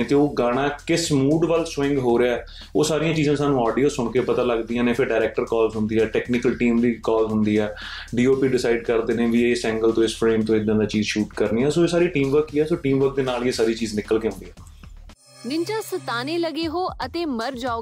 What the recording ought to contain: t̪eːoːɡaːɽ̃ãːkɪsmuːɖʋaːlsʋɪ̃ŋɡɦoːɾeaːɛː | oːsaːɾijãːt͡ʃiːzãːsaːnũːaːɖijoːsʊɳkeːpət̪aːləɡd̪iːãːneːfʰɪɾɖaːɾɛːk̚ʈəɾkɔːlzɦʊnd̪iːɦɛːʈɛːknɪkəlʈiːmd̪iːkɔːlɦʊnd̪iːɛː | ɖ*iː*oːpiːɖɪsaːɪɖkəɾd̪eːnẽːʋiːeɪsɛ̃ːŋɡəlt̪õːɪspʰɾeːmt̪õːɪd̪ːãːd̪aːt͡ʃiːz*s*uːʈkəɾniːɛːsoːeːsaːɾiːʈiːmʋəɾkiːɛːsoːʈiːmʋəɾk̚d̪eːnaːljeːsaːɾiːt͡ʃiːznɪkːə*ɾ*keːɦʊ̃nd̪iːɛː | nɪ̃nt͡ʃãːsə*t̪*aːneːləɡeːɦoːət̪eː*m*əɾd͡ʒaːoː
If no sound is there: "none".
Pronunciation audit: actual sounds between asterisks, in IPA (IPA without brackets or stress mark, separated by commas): iː, ʃ, l, t̪, m